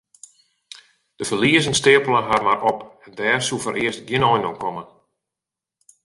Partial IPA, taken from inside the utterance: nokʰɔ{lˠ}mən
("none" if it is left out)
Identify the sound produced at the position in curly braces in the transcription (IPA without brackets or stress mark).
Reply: none